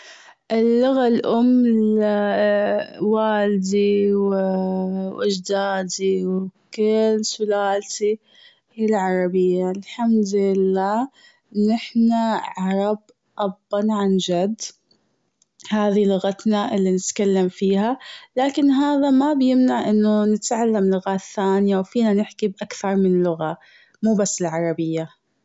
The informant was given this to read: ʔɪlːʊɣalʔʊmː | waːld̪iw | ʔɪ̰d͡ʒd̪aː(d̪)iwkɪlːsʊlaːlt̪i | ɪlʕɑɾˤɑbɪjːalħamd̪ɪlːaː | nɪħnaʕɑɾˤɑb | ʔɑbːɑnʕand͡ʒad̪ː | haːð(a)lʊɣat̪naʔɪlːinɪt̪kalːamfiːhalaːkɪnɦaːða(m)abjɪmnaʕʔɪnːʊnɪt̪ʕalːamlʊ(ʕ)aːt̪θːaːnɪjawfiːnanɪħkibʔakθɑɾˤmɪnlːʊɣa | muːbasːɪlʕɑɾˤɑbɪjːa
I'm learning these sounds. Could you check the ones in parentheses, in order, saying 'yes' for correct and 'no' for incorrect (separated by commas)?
yes, no, yes, no